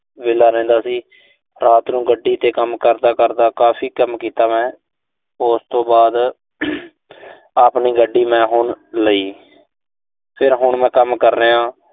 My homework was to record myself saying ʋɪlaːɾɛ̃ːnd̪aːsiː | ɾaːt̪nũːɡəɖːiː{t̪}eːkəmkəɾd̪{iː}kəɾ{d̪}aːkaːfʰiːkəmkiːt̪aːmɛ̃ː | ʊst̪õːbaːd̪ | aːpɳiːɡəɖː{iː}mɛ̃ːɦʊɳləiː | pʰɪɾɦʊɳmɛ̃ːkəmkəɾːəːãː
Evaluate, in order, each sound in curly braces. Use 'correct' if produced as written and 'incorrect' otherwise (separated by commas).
correct, incorrect, correct, correct